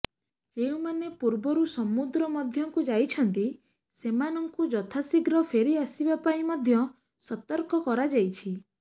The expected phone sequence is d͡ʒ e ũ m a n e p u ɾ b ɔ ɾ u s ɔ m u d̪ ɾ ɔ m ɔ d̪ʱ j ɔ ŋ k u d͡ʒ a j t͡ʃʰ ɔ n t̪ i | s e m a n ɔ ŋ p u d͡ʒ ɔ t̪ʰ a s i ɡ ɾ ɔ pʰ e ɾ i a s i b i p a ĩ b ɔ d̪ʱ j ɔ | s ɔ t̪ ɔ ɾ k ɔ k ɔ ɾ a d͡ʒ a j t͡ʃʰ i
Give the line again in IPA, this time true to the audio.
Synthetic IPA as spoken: d͡ʒ e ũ m a n e p u ɾ b ɔ ɾ u s ɔ m u d̪ ɾ ɔ m ɔ d̪ʱ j ɔ ŋ k u d͡ʒ a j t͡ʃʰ ɔ n t̪ i | s e m a n ɔ ŋ k u d͡ʒ ɔ t̪ʰ a s i ɡ ɾ ɔ pʰ e ɾ i a s i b a p a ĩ m ɔ d̪ʱ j ɔ | s ɔ t̪ ɔ ɾ k ɔ k ɔ ɾ a d͡ʒ a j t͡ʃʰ i